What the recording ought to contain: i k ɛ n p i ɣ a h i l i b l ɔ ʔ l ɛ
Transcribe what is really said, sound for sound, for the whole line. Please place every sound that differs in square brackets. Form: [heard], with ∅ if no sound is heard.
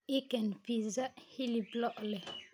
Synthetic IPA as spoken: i k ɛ n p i [z] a h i l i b l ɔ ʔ l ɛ